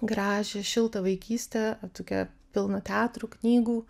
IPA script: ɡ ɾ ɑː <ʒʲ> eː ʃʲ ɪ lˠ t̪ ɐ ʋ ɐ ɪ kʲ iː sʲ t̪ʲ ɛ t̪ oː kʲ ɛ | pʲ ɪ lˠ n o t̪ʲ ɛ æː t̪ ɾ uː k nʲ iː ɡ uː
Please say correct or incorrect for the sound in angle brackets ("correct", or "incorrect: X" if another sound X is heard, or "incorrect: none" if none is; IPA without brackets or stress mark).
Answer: correct